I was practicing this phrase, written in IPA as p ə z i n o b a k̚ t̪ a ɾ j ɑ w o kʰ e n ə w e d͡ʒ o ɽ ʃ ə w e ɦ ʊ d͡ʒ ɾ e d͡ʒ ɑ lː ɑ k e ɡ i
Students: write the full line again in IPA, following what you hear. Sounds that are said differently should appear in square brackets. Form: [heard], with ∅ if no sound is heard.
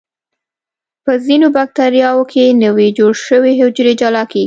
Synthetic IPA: p ə z i n o b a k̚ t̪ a ɾ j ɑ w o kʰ e n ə w e d͡ʒ o ɽ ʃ ə w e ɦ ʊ d͡ʒ ɾ e d͡ʒ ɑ [l] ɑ k e ɡ i